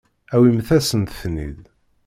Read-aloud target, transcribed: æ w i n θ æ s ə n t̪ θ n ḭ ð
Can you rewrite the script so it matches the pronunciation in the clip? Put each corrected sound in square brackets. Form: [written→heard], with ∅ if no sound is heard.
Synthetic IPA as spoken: æ w i [n→m] θ æ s ə n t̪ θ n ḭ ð